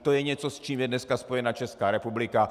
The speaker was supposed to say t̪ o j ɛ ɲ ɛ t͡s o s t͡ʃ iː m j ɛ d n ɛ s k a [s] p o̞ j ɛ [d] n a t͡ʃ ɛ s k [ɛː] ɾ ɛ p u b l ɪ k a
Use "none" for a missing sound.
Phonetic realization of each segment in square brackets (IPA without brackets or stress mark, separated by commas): s, none, aː